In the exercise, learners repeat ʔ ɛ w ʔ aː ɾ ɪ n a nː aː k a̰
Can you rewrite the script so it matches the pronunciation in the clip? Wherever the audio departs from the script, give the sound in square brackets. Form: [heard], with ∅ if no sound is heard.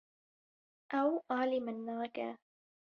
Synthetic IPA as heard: ʔ [a] w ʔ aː [l] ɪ [m] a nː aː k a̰